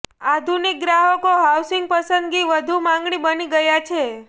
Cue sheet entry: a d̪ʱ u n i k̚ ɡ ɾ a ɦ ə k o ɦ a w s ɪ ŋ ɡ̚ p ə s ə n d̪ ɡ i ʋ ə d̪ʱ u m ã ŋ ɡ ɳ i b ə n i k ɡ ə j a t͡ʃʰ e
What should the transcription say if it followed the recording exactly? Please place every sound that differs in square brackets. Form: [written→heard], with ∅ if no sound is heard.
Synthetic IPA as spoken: a d̪ʱ u n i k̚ ɡ ɾ a ɦ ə k o ɦ a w s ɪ ŋ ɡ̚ p ə s ə n d̪ ɡ i ʋ ə d̪ʱ u m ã ŋ ɡ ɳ i b ə n i [k→∅] ɡ ə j a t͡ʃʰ e